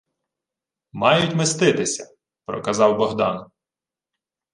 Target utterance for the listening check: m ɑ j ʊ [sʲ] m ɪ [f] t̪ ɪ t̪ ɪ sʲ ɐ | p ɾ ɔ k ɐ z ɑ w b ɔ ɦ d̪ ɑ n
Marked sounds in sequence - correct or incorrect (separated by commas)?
incorrect, incorrect